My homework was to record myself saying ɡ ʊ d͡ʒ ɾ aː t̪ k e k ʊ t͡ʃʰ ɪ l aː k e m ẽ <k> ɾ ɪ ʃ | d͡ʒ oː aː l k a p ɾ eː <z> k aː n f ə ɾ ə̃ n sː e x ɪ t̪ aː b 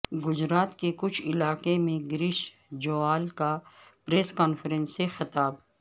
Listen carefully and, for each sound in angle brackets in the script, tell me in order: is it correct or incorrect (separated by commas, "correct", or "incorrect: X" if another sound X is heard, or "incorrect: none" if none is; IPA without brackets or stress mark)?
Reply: incorrect: ɡ, incorrect: s